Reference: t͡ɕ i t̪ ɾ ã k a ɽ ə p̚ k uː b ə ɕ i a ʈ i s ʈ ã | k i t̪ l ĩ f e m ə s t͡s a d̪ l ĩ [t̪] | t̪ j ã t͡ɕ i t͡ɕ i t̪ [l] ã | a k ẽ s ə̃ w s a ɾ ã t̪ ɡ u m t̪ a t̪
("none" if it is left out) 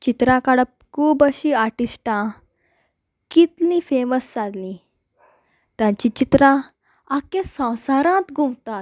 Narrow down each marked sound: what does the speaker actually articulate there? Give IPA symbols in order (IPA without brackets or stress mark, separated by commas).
none, ɾ